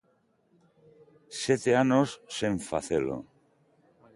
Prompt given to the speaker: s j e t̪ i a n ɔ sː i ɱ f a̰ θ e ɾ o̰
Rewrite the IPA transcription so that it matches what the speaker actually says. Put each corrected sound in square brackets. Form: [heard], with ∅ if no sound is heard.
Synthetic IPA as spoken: s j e t̪ [e] a n [o] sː [e] ɱ f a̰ θ e [l] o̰